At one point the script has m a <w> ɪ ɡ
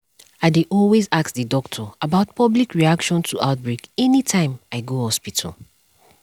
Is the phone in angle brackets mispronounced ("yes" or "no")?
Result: yes